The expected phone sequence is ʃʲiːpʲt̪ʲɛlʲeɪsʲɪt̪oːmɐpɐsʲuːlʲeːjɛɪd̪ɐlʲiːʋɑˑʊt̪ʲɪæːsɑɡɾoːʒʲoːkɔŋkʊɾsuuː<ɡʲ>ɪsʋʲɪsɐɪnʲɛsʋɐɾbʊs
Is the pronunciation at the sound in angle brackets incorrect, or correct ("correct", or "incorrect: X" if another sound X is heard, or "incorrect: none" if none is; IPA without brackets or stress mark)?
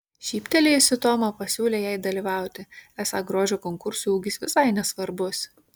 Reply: correct